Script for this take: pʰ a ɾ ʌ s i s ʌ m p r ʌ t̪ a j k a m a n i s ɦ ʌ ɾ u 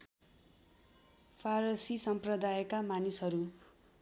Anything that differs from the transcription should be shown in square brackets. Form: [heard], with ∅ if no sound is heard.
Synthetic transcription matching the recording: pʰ a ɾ ʌ s i s ʌ m p r ʌ [d̪] a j k a m a n i s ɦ ʌ ɾ u